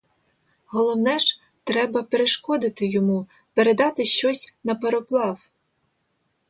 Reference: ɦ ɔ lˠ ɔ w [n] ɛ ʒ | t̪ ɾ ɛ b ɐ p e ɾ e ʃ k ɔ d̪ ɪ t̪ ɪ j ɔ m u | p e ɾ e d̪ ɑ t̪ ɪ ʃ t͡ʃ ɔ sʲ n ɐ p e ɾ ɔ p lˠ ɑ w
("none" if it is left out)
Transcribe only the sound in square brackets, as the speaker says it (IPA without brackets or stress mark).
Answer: n